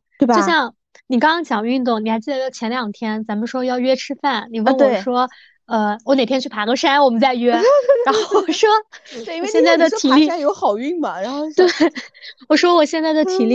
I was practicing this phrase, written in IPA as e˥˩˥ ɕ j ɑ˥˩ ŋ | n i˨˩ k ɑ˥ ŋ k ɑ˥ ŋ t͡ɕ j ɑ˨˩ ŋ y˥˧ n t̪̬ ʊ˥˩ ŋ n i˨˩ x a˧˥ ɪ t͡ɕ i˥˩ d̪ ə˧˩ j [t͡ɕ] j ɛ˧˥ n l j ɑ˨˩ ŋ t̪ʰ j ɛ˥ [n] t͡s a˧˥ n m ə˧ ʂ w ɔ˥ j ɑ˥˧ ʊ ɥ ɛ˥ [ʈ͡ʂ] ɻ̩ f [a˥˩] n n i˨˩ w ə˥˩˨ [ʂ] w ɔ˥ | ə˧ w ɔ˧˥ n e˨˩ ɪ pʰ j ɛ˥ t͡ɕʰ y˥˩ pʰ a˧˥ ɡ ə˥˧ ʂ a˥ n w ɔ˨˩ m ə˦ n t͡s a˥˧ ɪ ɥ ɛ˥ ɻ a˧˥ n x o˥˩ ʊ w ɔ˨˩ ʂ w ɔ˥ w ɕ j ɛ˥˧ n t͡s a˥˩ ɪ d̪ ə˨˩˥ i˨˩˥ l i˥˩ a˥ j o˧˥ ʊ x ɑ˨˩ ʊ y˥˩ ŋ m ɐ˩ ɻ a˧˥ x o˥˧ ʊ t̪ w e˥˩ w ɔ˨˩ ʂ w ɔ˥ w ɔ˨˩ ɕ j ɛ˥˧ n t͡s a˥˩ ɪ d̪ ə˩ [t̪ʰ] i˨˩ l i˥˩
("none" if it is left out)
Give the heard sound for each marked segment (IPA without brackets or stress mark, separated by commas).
t͡ɕʰ, n, ʈ͡ʂʰ, a˥˩, ʂ, t̪ʰ